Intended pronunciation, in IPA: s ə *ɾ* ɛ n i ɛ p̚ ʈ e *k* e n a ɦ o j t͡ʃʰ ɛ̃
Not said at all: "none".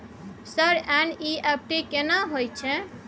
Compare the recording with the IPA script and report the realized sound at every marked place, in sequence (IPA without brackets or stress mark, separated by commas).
ɾ, k